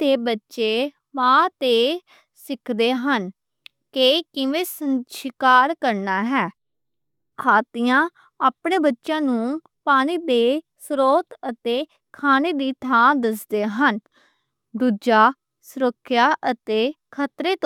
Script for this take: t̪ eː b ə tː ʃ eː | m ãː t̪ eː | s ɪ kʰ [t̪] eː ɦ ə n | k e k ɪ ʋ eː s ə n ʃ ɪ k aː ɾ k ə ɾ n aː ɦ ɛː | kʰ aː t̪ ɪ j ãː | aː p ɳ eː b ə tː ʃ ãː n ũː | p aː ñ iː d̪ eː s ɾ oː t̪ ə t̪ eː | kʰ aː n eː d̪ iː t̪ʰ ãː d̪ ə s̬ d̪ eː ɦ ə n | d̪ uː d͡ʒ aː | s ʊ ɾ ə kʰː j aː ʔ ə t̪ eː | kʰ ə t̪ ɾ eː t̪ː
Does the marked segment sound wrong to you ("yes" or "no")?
yes